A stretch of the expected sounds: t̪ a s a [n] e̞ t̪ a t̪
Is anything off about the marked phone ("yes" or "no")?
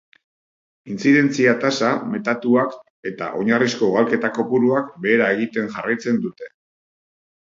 yes